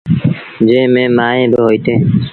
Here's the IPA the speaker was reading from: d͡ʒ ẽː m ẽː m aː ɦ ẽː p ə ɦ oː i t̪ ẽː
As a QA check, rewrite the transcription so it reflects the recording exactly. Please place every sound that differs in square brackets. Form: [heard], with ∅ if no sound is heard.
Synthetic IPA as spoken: d͡ʒ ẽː m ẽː m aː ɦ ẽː [b] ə ɦ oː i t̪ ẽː